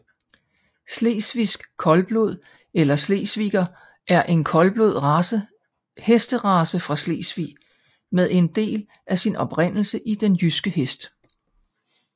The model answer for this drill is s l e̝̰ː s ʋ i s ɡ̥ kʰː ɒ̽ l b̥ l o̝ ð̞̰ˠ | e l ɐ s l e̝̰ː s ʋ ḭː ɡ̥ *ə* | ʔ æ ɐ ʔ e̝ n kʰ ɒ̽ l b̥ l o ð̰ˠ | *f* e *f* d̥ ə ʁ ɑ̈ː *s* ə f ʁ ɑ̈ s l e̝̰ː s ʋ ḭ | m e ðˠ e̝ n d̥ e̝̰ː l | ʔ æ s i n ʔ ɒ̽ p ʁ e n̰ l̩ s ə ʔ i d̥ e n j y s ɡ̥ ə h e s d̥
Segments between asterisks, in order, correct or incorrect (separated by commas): incorrect, incorrect, incorrect, correct